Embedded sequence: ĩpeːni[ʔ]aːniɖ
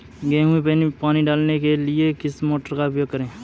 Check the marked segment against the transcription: incorrect: p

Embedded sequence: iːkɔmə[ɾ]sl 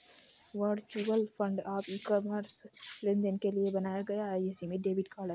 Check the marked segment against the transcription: correct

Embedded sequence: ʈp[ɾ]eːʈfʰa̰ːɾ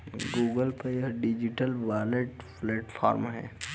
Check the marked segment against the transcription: incorrect: l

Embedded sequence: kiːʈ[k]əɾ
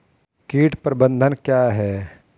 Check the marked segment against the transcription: incorrect: p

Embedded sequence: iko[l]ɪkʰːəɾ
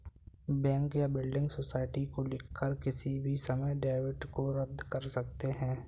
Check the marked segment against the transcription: correct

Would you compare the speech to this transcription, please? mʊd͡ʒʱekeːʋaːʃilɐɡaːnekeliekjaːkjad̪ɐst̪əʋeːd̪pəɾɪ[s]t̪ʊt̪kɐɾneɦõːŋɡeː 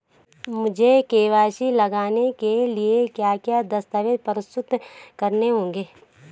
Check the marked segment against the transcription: correct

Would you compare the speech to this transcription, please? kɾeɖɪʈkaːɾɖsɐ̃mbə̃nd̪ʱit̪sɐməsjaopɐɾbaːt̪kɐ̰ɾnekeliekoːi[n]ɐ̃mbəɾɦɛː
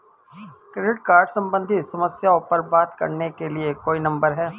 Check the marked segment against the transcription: correct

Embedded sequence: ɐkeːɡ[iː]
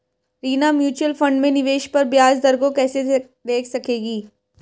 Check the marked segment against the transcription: correct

